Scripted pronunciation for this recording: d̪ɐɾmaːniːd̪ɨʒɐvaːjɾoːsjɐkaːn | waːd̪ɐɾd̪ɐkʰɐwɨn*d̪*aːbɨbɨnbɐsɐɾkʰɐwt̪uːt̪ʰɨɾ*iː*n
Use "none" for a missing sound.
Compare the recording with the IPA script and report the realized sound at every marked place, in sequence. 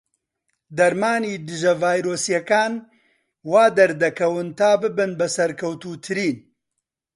t̪, iː

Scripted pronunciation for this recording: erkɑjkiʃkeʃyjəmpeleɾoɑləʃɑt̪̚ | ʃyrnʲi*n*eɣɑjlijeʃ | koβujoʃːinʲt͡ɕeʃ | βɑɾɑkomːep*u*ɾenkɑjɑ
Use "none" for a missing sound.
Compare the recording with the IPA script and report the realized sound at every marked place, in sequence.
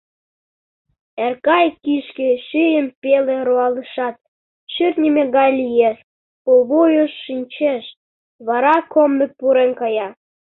m, u

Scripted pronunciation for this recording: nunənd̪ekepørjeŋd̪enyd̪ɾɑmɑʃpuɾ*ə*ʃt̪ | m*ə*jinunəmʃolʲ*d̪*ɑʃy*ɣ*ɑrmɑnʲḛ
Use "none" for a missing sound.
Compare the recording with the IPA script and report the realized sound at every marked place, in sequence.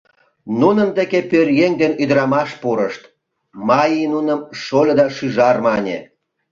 ə, ɑ, d̪, ʒ

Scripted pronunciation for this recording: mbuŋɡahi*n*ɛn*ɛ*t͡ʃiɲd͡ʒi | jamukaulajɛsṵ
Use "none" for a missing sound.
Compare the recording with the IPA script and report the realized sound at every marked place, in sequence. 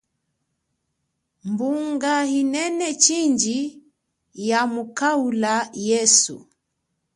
n, ɛ

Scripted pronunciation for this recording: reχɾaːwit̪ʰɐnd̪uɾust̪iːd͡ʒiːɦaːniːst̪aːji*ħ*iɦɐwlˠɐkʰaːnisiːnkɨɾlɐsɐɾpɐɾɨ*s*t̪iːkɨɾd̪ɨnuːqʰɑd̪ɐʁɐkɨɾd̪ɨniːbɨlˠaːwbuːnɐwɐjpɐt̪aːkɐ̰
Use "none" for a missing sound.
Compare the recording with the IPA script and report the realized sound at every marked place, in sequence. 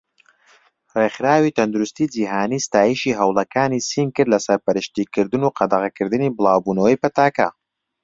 ʃ, ʃ

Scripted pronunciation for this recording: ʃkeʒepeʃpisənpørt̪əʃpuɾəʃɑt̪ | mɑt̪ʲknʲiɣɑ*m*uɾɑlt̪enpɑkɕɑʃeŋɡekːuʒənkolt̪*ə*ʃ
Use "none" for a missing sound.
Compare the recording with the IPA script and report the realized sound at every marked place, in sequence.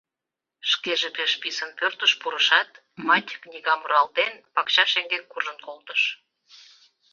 m, ə

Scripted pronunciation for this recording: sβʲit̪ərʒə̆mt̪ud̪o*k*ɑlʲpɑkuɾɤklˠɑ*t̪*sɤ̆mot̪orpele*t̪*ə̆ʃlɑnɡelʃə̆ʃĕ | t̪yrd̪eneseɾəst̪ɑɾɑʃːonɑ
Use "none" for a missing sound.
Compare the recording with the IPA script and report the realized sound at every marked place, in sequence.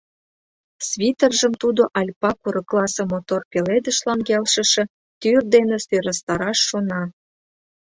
ʔ, none, d̪

